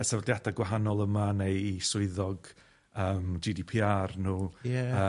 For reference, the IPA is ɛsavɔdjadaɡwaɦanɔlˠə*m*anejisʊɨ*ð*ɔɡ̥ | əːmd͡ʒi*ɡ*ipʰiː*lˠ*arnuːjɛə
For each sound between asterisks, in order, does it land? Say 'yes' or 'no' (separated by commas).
yes, yes, no, no